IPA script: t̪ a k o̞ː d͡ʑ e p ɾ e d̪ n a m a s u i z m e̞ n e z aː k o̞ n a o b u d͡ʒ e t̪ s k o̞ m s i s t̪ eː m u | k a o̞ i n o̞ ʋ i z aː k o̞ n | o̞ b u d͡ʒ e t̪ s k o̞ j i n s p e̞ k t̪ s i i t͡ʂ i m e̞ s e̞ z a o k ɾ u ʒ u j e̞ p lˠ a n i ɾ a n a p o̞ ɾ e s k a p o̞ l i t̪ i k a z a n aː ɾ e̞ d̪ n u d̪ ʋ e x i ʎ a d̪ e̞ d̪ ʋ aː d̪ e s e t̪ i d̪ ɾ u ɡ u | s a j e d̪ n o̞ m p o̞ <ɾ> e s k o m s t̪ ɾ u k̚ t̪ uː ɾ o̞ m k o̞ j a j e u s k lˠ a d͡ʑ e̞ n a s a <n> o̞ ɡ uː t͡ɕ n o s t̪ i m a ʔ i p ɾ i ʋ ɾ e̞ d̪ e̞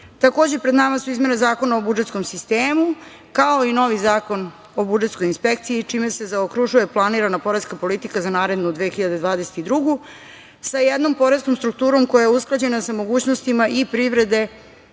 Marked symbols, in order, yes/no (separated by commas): yes, no